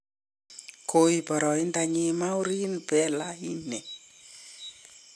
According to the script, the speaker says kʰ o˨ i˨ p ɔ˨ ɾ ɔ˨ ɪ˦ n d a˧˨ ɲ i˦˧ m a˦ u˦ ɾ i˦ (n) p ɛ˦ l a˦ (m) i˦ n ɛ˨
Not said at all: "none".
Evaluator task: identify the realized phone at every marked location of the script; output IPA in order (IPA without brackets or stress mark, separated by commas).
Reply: n, none